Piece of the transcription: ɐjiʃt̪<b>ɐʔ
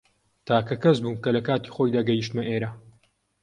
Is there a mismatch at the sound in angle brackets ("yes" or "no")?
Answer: yes